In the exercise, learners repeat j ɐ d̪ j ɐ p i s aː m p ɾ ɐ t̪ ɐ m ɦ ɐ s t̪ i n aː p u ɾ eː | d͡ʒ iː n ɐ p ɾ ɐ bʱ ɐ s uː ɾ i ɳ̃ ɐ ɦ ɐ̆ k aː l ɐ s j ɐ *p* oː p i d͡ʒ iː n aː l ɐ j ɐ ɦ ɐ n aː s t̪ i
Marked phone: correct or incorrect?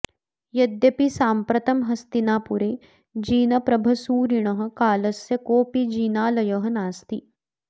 incorrect: k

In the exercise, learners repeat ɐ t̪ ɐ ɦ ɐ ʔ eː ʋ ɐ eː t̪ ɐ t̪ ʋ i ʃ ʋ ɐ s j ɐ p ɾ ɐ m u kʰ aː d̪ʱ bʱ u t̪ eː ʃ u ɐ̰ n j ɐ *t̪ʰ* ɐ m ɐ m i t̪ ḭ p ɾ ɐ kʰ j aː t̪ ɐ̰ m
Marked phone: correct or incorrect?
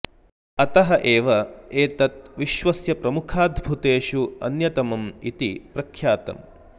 incorrect: t̪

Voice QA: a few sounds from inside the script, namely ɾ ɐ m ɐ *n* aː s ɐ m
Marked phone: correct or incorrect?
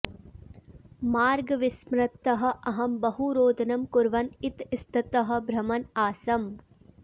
correct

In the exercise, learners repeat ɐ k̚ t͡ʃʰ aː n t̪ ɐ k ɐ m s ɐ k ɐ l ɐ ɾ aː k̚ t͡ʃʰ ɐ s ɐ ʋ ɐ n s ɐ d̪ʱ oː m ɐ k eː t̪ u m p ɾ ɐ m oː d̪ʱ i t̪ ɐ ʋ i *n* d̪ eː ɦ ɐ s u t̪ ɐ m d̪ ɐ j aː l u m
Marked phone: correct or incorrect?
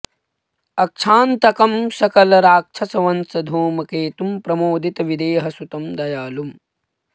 incorrect: none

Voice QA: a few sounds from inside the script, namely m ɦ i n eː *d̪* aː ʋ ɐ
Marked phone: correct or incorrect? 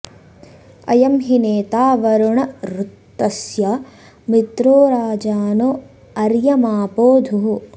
incorrect: t̪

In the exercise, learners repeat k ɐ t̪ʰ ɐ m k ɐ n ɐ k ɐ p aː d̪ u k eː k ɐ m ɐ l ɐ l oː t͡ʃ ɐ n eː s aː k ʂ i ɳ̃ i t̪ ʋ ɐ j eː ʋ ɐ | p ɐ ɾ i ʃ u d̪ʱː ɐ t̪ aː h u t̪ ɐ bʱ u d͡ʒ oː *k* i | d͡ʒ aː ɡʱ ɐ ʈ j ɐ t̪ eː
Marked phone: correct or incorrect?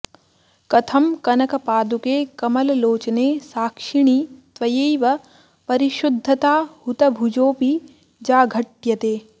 incorrect: p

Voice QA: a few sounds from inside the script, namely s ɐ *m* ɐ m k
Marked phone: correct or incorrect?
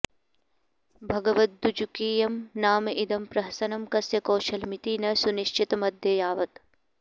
incorrect: n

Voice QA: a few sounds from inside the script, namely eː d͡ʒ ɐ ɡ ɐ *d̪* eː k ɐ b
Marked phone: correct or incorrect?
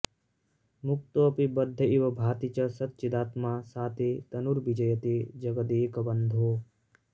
correct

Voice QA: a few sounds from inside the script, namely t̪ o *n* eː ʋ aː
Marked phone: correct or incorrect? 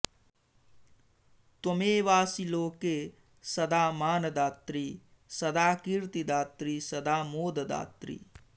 incorrect: m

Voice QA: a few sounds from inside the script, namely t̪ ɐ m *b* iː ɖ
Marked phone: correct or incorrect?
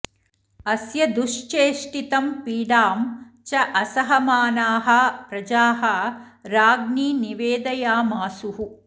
incorrect: p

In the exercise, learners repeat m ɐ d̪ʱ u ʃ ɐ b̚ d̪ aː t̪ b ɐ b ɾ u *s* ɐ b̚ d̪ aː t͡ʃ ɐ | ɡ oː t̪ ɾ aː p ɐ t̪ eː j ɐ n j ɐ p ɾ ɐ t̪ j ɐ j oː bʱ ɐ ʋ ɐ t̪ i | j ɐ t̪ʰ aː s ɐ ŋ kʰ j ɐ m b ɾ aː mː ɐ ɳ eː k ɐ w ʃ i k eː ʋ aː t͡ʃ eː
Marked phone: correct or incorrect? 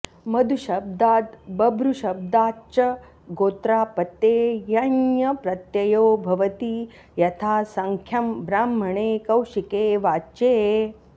incorrect: ʃ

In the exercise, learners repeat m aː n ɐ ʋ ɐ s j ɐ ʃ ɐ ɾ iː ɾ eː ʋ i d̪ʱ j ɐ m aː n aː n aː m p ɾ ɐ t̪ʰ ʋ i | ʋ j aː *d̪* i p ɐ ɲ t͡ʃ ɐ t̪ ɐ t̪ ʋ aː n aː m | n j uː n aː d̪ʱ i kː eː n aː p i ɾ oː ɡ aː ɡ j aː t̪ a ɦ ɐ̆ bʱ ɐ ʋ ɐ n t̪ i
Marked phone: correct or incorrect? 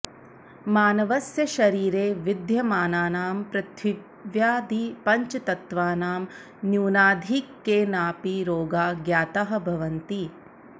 correct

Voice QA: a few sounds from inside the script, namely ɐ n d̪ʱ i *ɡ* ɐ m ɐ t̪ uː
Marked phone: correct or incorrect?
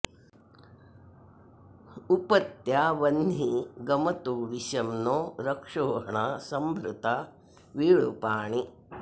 correct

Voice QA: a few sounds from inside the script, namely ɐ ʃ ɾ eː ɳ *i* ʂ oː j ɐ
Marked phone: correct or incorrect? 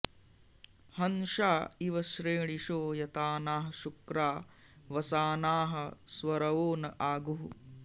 correct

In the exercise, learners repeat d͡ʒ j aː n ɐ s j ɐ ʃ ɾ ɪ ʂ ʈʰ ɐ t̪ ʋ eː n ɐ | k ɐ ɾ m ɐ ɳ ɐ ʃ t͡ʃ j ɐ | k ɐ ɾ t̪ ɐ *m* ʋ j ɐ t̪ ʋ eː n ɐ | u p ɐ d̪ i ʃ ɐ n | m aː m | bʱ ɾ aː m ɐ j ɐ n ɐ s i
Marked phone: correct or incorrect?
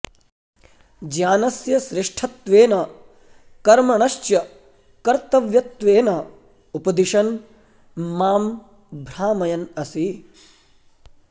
incorrect: none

